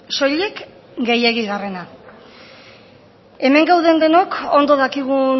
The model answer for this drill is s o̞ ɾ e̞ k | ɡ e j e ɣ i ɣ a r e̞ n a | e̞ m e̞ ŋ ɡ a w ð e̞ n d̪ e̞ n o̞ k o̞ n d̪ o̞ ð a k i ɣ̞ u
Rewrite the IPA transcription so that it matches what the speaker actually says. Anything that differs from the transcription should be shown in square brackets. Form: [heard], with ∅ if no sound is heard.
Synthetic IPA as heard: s o̞ [ʎ] e̞ k | ɡ e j e ɣ i ɣ a r e̞ n a | e̞ m e̞ ŋ ɡ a w ð e̞ n d̪ e̞ n o̞ k o̞ n d̪ o̞ ð a k i ɣ̞ u

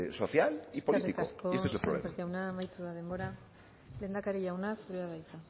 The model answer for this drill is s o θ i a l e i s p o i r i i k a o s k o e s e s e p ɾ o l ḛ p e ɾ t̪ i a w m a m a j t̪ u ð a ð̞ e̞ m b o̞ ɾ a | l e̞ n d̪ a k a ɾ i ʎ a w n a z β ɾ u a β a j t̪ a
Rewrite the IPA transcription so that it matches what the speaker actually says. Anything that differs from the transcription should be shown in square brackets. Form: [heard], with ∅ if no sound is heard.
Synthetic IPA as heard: s o θ [j] a l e i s p o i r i i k a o s k o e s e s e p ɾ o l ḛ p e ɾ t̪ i a w [n] a m a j t̪ u ð a ð̞ e̞ m b o̞ ɾ a | l e̞ n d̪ a k a ɾ i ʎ a w n a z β ɾ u a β a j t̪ a

